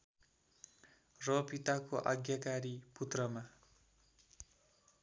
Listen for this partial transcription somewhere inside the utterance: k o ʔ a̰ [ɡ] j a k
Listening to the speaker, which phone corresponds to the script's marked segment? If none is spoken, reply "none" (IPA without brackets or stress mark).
ɡ